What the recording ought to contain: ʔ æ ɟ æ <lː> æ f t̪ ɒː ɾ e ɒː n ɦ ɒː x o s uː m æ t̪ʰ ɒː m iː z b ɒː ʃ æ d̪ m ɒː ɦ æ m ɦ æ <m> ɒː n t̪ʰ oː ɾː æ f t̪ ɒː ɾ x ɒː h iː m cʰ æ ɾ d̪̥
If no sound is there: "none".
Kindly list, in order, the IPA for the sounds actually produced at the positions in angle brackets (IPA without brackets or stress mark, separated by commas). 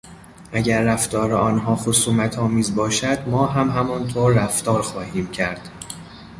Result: ɾː, m